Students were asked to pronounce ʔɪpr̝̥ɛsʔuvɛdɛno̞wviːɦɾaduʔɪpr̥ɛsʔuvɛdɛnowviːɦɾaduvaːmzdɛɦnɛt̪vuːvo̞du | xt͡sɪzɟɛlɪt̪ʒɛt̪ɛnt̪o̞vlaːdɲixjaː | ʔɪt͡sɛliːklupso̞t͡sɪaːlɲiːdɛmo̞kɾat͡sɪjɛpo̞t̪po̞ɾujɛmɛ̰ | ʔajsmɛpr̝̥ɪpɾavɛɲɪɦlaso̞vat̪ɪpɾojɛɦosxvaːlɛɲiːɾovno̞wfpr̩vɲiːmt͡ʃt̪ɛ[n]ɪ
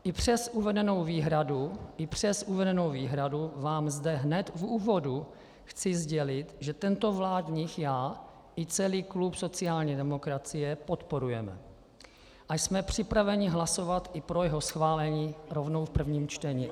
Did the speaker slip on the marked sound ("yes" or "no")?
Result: yes